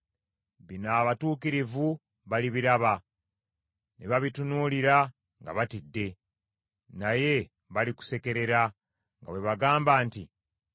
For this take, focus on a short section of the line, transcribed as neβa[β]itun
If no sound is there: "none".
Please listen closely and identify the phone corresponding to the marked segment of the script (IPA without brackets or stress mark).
β